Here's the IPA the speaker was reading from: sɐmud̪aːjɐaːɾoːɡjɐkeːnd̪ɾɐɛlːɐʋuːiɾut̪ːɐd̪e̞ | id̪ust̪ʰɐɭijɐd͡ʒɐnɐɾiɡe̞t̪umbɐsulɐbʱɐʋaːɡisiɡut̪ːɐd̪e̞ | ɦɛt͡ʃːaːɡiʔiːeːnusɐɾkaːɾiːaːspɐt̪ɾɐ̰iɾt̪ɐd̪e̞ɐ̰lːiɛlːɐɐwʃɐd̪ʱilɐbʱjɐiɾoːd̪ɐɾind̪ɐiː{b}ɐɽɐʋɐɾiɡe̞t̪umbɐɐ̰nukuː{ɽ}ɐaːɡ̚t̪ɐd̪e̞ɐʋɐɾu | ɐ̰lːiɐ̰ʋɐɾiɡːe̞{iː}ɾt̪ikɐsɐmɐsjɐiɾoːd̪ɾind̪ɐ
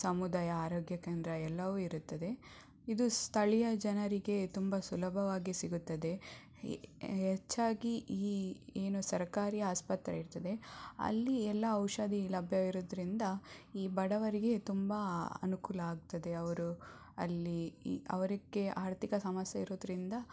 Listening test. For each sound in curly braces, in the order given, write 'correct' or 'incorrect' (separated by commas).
correct, incorrect, incorrect